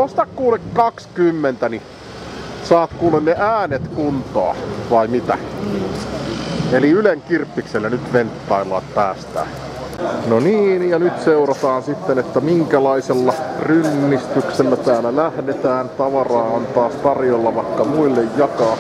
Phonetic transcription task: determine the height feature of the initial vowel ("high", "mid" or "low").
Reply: mid